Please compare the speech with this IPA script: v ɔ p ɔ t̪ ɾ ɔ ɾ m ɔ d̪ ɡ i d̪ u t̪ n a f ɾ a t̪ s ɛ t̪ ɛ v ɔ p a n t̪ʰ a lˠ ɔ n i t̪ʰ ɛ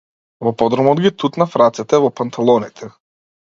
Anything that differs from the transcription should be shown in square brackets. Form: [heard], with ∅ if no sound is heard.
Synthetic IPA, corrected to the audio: v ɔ p ɔ [d̪] ɾ ɔ [∅] m ɔ d̪ ɡ i [t̪] u t̪ n a f ɾ a t̪ s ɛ t̪ ɛ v ɔ p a n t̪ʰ a lˠ ɔ n i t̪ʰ ɛ